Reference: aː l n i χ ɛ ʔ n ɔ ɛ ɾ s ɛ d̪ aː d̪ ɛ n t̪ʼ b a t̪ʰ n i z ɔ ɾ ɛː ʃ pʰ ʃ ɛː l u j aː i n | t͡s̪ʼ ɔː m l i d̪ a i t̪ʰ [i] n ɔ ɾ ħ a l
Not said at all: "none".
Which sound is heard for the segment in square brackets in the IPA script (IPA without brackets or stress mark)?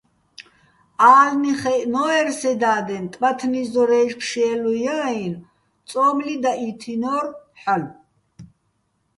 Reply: i